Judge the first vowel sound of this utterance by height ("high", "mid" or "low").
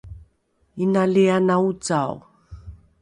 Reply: high